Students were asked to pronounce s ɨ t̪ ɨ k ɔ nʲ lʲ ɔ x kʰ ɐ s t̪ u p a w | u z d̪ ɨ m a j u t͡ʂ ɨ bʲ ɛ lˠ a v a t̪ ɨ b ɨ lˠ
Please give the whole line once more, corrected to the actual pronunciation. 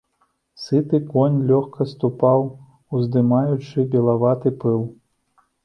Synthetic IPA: s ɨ t̪ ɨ k ɔ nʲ lʲ ɔ x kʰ ɐ s t̪ u p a w | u z d̪ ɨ m a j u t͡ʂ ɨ bʲ ɛ lˠ a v a t̪ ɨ p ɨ lˠ